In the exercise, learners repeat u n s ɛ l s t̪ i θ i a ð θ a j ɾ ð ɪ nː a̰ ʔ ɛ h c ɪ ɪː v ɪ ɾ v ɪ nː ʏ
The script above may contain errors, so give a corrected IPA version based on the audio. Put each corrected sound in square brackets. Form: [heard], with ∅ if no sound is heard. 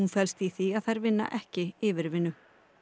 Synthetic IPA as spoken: u n [f] ɛ l s t̪ i θ i a ð θ a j ɾ [v] ɪ nː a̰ ʔ ɛ h c ɪ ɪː v ɪ ɾ v ɪ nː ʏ